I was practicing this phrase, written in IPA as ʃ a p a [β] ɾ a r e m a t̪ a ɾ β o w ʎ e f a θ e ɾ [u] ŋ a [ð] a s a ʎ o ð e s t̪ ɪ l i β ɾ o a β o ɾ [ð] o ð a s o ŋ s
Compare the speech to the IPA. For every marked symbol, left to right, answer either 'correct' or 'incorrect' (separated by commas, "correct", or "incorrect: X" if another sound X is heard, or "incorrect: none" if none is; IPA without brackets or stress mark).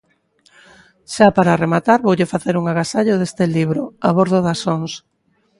incorrect: none, correct, incorrect: ɣ, correct